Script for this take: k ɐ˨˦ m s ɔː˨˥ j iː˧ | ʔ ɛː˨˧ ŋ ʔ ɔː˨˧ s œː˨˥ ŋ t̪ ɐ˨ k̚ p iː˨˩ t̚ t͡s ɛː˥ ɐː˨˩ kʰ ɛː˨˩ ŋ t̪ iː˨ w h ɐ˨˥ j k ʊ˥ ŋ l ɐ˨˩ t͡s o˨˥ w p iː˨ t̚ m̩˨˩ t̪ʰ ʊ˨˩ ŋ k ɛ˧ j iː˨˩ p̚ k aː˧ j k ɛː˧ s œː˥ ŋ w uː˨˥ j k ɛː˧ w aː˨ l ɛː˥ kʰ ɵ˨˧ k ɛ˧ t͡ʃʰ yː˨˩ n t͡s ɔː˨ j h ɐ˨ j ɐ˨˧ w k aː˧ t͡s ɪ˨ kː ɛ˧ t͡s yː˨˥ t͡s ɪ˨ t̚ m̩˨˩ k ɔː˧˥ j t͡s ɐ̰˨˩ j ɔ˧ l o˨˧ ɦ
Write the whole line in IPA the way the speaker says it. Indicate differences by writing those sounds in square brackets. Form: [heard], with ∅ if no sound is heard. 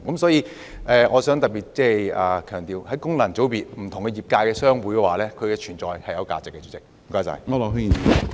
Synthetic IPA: k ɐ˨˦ m s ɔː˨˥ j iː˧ | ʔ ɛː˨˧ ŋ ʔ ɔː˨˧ s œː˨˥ ŋ t̪ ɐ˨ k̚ p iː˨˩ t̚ t͡s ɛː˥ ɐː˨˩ kʰ [œː˨˩] ŋ t̪ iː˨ w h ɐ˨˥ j k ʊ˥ ŋ l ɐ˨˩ t͡s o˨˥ w p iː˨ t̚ m̩˨˩ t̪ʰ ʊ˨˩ ŋ k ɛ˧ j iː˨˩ p̚ k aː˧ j k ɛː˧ s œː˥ ŋ w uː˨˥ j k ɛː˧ w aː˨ l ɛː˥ kʰ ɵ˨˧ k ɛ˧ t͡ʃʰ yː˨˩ n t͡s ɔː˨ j h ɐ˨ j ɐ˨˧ w k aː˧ t͡s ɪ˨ kː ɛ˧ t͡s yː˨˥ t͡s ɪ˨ [k̚] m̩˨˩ k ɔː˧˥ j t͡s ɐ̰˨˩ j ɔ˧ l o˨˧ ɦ